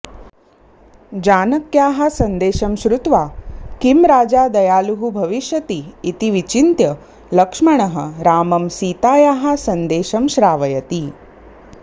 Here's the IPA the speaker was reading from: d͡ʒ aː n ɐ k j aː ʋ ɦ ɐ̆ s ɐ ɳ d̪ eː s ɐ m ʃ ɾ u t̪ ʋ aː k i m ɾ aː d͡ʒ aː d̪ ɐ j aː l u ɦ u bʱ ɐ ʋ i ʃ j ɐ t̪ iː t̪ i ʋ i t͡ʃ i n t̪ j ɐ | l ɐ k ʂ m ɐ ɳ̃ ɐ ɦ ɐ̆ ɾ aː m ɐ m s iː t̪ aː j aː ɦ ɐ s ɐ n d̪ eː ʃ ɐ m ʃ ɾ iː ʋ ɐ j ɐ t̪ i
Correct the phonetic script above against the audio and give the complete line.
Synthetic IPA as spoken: d͡ʒ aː n ɐ k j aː ɦ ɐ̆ s ɐ n d̪ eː ʃ ɐ m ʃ ɾ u t̪ ʋ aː k i m ɾ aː d͡ʒ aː d̪ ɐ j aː l u ɦ u bʱ ɐ ʋ i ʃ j ɐ t̪ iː t̪ i ʋ i t͡ʃ i n t̪ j ɐ | l ɐ k ʂ m ɐ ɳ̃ ɐ ɦ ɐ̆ ɾ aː m ɐ m s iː t̪ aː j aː ɦ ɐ s ɐ n d̪ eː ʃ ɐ m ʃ ɾ aː ʋ ɐ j ɐ t̪ i